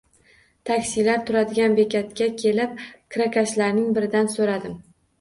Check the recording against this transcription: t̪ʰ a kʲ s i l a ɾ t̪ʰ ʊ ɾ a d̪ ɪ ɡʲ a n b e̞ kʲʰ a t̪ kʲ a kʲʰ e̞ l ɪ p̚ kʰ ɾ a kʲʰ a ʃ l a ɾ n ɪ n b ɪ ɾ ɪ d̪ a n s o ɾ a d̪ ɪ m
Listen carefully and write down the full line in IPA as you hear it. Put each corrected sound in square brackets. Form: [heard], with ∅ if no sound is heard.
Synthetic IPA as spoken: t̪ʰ a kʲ s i l a ɾ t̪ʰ ʊ ɾ a d̪ ɪ ɡʲ a n b e̞ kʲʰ a t̪ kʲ a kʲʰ e̞ l ɪ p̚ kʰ ɾ a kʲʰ a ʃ l a ɾ n ɪ [ŋ] b ɪ ɾ ɪ d̪ a n s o ɾ a d̪ ɪ m